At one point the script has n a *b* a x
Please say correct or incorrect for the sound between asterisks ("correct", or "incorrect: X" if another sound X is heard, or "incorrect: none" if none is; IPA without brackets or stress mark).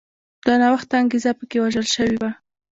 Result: incorrect: w